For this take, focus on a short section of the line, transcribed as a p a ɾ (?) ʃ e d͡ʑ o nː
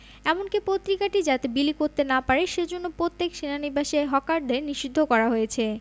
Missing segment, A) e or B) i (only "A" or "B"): A